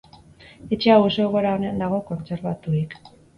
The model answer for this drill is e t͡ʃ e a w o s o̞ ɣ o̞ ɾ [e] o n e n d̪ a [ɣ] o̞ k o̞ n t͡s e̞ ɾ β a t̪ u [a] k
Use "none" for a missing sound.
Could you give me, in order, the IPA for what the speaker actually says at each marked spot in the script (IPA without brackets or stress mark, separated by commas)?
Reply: a, ɣ, i